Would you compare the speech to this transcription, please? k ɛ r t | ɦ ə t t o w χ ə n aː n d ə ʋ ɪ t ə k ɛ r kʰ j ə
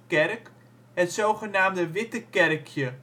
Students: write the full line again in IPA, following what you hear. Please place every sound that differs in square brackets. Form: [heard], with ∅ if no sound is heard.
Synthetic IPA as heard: k ɛ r [k] | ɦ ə t [s] o w χ ə n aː [m] d ə ʋ ɪ t ə k ɛ r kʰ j ə